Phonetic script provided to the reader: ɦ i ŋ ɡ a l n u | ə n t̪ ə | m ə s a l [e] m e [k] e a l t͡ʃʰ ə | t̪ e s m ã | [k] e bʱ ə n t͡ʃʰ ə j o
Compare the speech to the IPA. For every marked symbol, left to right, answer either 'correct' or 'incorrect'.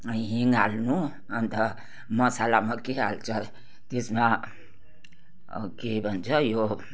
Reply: incorrect, correct, correct

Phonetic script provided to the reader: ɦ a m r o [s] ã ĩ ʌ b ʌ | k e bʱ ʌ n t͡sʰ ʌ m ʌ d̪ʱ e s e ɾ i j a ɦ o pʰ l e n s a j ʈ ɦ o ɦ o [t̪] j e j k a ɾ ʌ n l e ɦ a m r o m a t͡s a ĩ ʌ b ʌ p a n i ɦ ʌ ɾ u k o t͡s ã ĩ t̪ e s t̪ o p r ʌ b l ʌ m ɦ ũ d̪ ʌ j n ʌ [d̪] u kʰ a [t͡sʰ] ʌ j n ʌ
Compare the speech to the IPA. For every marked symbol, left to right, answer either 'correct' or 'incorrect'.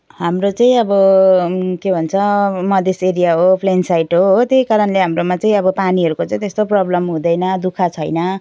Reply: incorrect, correct, correct, correct

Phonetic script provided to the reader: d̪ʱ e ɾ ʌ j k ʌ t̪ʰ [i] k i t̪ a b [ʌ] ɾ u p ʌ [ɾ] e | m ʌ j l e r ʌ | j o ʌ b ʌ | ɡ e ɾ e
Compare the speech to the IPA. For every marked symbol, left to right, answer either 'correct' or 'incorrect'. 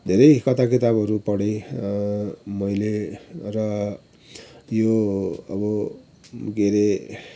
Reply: incorrect, correct, incorrect

